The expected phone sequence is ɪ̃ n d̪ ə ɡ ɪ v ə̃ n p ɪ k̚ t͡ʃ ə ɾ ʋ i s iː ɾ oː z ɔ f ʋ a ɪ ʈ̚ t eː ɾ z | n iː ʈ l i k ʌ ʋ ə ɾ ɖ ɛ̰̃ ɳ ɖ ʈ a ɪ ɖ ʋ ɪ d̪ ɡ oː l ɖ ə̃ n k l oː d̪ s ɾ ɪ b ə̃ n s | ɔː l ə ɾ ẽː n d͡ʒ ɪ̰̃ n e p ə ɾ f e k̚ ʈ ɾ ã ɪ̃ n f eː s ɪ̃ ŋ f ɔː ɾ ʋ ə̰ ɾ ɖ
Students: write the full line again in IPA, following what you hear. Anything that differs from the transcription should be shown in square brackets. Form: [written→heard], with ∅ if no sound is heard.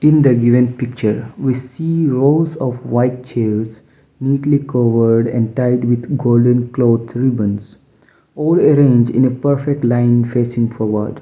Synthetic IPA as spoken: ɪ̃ n d̪ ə ɡ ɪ [v→ʋ] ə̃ n p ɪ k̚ t͡ʃ ə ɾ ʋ i s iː ɾ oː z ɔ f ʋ a ɪ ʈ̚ [t→t͡ʃ] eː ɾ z | n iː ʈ l i k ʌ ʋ ə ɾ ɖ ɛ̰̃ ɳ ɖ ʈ a ɪ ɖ ʋ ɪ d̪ ɡ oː l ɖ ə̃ n k l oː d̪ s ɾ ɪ b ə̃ n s | ɔː l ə ɾ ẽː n d͡ʒ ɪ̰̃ n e p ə ɾ f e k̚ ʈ [ɾ→l] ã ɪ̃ n f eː s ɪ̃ ŋ f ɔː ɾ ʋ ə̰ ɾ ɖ